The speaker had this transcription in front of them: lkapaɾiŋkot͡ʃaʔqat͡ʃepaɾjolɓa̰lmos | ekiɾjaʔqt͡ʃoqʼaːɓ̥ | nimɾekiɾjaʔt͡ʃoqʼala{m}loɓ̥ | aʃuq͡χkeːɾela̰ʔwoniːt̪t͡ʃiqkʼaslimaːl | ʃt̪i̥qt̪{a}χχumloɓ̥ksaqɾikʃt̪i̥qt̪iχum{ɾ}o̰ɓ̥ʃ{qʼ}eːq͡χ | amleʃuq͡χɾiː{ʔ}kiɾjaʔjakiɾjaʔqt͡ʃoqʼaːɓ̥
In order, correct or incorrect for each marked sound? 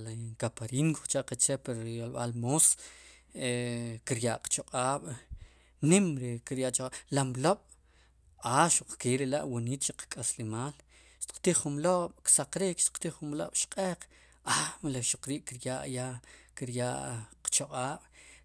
correct, incorrect: i, incorrect: l, correct, correct

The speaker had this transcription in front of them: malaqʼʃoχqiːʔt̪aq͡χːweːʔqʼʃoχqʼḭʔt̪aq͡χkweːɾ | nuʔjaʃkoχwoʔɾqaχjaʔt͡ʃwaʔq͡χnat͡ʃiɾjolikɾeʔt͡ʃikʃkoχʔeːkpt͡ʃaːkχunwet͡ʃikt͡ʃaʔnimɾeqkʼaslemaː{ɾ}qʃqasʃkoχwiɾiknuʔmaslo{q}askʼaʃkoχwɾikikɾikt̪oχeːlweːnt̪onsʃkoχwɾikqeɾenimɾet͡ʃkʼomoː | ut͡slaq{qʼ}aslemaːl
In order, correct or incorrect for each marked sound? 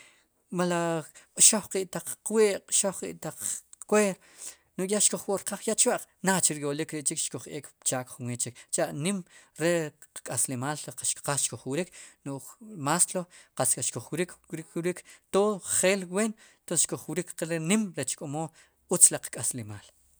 incorrect: l, correct, incorrect: kʼ

